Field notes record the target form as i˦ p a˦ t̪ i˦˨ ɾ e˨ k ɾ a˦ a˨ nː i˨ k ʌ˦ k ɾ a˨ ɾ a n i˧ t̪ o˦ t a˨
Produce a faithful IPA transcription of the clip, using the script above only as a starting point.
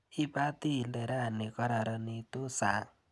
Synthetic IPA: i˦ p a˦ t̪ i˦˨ l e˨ ɾ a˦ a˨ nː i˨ k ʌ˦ ɾ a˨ ɾ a n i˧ t̪ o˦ s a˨

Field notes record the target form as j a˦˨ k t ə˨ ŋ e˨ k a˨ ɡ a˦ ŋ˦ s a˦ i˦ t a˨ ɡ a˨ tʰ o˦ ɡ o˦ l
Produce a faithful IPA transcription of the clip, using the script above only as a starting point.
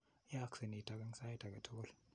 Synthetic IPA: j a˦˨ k s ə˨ n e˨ t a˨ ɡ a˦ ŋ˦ s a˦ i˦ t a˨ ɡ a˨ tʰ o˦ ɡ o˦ l

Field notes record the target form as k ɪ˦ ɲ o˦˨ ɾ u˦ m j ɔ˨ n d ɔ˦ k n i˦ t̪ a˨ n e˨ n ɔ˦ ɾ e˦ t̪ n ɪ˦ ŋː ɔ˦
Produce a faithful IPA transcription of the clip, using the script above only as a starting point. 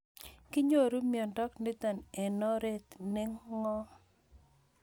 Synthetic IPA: k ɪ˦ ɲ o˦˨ ɾ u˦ m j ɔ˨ n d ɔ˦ k n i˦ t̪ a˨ n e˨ n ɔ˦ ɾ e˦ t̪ n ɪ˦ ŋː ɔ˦

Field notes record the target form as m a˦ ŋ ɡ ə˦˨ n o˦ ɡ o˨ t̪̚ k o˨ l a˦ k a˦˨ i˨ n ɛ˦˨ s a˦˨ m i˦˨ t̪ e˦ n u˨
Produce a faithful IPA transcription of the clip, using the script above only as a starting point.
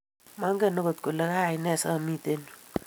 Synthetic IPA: m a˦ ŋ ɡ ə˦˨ n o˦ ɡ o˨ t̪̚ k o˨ l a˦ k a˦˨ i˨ n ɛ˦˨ s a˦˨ m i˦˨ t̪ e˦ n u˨

